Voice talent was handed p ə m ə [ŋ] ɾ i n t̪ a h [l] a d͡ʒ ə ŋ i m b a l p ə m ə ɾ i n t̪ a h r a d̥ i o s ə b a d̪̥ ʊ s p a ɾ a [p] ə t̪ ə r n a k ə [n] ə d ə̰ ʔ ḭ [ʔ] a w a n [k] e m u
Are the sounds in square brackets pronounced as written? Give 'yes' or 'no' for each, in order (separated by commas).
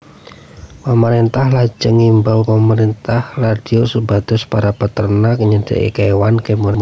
no, yes, yes, no, no, yes